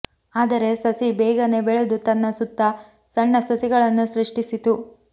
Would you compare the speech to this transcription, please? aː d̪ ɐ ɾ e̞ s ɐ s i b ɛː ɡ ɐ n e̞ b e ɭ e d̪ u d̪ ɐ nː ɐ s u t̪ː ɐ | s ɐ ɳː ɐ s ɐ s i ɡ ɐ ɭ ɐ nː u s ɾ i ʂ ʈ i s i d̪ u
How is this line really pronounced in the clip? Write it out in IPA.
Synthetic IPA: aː d̪ ɐ ɾ e̞ s ɐ s i b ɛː ɡ ɐ n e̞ b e ɭ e d̪ u t̪ ɐ nː ɐ s u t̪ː ɐ | s ɐ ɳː ɐ s ɐ s i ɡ ɐ ɭ ɐ nː u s ɾ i ʂ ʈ i s i t̪ u